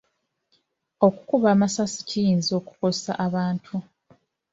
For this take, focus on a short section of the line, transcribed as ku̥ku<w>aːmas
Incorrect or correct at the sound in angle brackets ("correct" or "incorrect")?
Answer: incorrect